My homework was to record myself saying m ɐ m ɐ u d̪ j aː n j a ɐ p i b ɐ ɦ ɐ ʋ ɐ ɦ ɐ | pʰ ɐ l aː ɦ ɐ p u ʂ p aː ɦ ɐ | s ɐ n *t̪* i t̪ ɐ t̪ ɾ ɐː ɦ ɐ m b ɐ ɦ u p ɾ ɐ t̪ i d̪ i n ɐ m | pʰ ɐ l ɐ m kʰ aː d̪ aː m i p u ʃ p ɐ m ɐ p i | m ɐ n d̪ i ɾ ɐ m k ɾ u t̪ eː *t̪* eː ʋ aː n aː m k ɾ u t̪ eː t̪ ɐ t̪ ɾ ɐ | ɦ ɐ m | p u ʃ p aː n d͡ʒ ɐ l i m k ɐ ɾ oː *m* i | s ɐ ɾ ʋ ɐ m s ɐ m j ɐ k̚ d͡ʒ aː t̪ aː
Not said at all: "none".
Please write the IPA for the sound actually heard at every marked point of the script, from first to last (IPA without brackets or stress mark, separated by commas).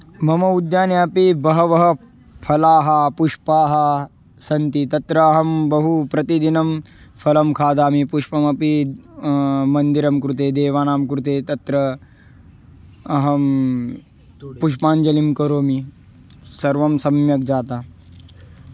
t̪, d̪, m